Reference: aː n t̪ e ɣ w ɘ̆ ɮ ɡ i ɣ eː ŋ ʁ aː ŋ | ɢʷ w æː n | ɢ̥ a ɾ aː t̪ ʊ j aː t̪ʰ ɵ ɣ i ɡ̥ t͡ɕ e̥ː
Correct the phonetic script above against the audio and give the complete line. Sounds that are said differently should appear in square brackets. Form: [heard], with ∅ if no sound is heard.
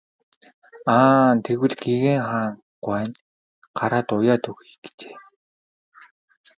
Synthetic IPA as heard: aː n [t̪ʰ] e ɣ w ɘ̆ ɮ ɡ i ɣ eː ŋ [χ] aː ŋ | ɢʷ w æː n | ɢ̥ a ɾ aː t̪ ʊ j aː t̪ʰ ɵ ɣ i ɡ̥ t͡ɕ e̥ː